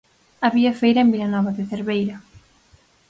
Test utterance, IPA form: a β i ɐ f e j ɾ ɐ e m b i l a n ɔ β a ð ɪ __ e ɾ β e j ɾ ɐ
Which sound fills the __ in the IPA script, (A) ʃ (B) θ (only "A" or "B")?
B